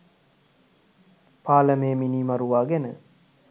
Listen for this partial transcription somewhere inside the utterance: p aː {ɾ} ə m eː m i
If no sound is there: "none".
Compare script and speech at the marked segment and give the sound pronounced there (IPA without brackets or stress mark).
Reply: l